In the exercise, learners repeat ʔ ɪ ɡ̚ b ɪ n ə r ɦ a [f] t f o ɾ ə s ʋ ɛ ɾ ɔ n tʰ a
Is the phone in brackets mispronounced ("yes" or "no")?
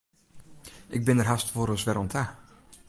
yes